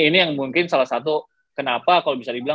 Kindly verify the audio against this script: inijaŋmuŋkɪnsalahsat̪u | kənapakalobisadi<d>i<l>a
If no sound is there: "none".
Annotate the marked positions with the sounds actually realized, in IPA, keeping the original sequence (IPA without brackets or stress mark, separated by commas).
b, l